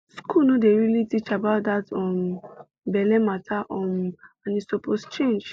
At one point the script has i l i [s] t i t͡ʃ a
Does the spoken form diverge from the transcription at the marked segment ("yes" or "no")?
yes